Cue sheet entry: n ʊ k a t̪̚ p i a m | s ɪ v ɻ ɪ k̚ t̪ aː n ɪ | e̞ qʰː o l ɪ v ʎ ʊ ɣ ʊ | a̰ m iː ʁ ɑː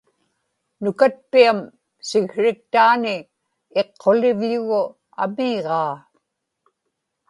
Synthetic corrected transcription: n ʊ k a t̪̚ p i a m | s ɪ ɣ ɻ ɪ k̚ t̪ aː n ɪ | e̞ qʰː o l ɪ v ʎ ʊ ɣ ʊ | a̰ m iː ʁ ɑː